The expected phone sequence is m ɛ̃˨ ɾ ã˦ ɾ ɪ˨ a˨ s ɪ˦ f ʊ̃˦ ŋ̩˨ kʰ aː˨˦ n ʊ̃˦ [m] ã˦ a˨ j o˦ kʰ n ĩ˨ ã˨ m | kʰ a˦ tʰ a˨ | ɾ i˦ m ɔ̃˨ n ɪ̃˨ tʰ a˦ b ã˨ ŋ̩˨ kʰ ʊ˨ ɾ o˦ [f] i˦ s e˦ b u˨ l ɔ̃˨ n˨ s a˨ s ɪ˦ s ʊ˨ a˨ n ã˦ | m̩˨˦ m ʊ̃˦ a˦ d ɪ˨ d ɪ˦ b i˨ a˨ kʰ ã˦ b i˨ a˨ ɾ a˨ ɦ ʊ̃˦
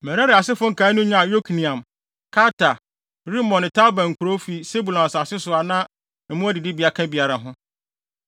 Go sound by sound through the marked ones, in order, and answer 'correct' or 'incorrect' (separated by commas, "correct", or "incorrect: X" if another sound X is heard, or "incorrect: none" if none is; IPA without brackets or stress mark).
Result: incorrect: ɲ, correct